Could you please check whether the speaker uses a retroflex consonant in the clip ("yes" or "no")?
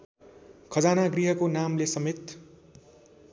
no